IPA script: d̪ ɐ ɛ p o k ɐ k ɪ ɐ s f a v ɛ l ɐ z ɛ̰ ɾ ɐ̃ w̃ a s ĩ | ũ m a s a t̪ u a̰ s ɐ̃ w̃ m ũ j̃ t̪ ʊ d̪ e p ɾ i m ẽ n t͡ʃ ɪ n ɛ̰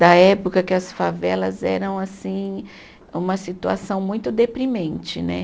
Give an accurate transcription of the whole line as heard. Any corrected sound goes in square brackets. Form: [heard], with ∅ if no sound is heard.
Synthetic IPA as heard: d̪ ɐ ɛ p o k ɐ k ɪ ɐ s f a v ɛ l ɐ z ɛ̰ ɾ ɐ̃ w̃ a s ĩ | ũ m [ɐ] s [i] t̪ u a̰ s ɐ̃ w̃ m ũ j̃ t̪ ʊ d̪ e p ɾ i m ẽ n t͡ʃ ɪ n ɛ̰

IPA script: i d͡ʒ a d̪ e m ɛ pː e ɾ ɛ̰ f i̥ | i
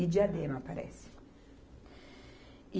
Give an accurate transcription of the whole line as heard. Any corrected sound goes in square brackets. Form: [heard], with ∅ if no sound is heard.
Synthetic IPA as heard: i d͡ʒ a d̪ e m [a] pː [a] ɾ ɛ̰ [s] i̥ | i

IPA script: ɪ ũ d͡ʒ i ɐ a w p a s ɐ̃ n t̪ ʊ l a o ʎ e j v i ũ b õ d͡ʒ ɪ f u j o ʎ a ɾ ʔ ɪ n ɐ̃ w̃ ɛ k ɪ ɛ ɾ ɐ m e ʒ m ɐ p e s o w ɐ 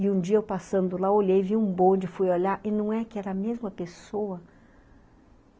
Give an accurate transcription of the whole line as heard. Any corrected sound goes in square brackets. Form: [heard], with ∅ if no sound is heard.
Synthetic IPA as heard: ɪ ũ d͡ʒ i ɐ [e] w p a s ɐ̃ n [d̪] ʊ l a o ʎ e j v i ũ b õ d͡ʒ ɪ f u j o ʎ a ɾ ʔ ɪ n ɐ̃ w̃ ɛ k ɪ ɛ ɾ ɐ m e [z] m ɐ p e s o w ɐ

